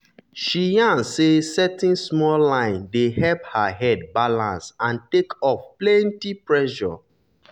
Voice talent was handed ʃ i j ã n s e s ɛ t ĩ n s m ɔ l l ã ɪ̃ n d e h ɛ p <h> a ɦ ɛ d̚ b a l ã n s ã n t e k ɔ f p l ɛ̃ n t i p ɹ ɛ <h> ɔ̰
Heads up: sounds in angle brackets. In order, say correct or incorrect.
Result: correct, incorrect: ʃ

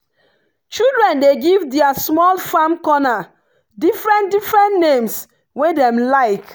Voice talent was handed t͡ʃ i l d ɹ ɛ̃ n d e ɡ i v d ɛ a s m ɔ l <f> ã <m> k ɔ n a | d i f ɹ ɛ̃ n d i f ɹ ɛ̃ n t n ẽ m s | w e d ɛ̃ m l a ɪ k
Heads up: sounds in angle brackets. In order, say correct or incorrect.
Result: correct, correct

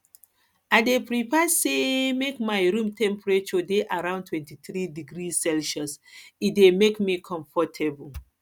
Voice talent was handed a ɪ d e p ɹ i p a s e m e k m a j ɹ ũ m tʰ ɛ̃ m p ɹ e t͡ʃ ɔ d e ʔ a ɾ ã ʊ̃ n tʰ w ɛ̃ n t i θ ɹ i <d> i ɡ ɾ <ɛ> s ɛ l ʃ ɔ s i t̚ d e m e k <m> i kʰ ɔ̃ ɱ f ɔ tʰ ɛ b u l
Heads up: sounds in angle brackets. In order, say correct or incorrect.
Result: correct, incorrect: i, correct

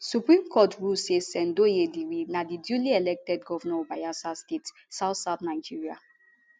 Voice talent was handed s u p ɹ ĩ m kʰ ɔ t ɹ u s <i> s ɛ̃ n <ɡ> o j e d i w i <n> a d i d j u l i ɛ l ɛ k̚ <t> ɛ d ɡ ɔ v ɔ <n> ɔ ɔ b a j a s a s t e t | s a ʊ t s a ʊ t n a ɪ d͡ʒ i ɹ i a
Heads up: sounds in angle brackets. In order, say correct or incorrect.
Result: incorrect: e, incorrect: d, correct, correct, correct

